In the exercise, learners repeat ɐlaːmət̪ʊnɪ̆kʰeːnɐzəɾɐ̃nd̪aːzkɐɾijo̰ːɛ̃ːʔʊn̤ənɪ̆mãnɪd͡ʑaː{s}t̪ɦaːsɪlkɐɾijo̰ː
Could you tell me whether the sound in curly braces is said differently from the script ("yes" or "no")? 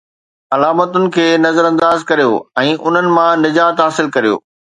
yes